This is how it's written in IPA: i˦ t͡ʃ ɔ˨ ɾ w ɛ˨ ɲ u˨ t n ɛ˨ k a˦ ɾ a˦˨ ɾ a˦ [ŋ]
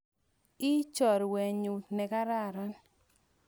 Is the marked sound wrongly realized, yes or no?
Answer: yes